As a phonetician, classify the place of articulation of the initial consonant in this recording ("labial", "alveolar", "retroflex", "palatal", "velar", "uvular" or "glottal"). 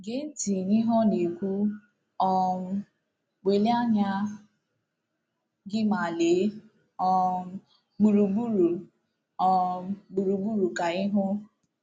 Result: velar